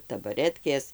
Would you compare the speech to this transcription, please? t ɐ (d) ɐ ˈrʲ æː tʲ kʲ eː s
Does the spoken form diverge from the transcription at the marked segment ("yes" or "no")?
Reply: yes